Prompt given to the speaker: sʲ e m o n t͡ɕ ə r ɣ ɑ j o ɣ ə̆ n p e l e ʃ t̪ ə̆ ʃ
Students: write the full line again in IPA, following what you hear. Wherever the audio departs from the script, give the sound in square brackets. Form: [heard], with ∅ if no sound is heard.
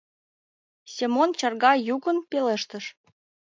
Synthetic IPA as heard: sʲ e m o n t͡ɕ [ɑ] r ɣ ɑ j [u] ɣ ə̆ n p e l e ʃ t̪ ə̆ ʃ